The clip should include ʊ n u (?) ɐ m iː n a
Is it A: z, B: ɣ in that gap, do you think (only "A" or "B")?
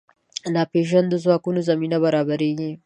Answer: A